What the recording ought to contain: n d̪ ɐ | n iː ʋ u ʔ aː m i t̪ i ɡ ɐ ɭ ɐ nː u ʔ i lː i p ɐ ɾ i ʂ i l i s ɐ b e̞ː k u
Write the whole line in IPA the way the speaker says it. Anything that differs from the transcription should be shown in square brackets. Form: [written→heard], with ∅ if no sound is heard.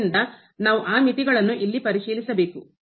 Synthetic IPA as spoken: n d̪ ɐ | n [iː→aː] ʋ u ʔ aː m i t̪ i ɡ ɐ ɭ ɐ nː u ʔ i lː i p ɐ ɾ i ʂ [i→iː] l i s ɐ b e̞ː k u

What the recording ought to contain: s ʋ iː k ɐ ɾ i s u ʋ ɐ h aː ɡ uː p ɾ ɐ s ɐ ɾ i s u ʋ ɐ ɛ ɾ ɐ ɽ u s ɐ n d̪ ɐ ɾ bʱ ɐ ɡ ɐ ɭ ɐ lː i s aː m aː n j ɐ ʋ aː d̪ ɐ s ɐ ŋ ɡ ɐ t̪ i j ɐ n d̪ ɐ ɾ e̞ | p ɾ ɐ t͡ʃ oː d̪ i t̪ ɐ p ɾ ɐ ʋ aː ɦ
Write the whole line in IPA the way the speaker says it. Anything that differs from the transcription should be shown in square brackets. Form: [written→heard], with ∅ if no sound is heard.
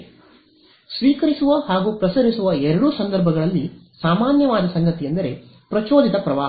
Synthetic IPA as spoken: s ʋ iː k ɐ ɾ i s u ʋ ɐ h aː ɡ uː p ɾ ɐ s ɐ ɾ i s u ʋ ɐ ɛ ɾ ɐ ɽ u s ɐ n d̪ ɐ ɾ bʱ ɐ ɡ ɐ ɭ ɐ lː i s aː m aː n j ɐ ʋ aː d̪ ɐ s ɐ ŋ ɡ ɐ t̪ i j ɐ n d̪ ɐ ɾ e̞ | p ɾ ɐ t͡ʃ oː d̪ i t̪ ɐ p ɾ ɐ ʋ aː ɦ

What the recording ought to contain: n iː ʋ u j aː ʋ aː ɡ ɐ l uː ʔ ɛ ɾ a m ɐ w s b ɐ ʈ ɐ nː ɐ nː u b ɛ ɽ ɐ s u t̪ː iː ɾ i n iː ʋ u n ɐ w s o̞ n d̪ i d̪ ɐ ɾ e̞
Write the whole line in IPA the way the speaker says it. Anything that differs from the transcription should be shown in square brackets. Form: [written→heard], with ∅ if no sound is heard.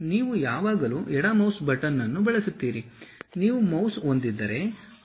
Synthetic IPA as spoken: n iː ʋ u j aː ʋ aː ɡ ɐ l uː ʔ ɛ [ɾ→ɽ] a m ɐ w s b ɐ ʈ ɐ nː ɐ nː u b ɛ [ɽ→ɭ] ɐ s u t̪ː iː ɾ i n iː ʋ u [n→m] ɐ w s o̞ n d̪ i [d̪→d̪ː] ɐ ɾ e̞

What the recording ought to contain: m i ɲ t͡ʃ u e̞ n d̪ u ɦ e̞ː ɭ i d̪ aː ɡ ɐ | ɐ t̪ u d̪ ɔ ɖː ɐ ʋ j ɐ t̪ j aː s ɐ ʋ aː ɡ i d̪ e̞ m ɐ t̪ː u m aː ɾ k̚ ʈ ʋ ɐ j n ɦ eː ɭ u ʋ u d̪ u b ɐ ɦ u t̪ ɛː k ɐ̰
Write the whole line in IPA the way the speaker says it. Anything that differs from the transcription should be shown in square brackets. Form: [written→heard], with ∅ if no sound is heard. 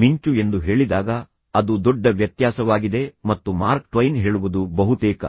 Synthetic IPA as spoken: m i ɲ t͡ʃ u e̞ n d̪ u ɦ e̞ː ɭ i d̪ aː ɡ ɐ | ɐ [t̪→d̪] u d̪ ɔ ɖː ɐ ʋ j ɐ t̪ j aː s ɐ ʋ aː ɡ i d̪ e̞ m ɐ t̪ː u m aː ɾ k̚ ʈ ʋ ɐ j n ɦ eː ɭ u ʋ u d̪ u b ɐ ɦ u t̪ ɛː k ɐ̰

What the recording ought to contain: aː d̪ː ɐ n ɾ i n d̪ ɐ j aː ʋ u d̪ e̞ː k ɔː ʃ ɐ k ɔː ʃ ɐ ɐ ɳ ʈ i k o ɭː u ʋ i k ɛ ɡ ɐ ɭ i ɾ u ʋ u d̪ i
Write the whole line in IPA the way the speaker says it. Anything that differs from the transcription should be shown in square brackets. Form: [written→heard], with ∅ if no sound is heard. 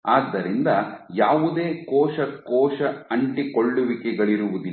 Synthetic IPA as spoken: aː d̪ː ɐ [n→∅] ɾ i n d̪ ɐ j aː ʋ u d̪ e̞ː k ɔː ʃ ɐ k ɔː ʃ ɐ ɐ ɳ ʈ i k o ɭː u ʋ i k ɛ ɡ ɐ ɭ i ɾ u ʋ u d̪ i

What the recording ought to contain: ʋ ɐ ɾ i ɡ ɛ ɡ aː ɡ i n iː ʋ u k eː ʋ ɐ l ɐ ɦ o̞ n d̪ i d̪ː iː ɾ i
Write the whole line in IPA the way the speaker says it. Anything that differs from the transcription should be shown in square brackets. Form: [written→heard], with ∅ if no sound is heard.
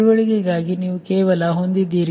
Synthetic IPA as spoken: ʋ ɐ [ɾ→ɭ] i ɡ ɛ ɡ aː ɡ i n iː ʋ u k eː ʋ ɐ l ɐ ɦ o̞ n d̪ i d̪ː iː ɾ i

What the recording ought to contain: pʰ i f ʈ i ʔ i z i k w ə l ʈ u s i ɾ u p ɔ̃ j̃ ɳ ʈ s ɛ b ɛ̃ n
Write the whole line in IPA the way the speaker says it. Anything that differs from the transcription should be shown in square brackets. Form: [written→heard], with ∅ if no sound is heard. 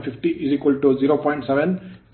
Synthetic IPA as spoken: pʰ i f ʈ i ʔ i z i k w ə l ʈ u [s→z] i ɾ [u→o] p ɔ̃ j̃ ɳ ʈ s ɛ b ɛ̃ n

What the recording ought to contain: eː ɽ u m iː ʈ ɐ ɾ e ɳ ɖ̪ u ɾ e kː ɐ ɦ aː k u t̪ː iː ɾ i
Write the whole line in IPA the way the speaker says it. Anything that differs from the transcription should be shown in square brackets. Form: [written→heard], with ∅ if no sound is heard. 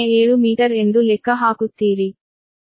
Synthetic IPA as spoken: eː ɽ u m iː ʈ ɐ ɾ e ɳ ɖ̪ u [ɾ→l] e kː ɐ ɦ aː k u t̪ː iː ɾ i

